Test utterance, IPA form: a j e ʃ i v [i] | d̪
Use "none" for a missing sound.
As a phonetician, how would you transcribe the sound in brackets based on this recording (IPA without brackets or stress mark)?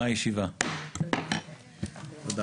a